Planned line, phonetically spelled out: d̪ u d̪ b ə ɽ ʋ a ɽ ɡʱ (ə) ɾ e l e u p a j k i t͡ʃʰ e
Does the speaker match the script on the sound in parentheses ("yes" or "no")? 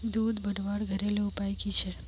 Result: yes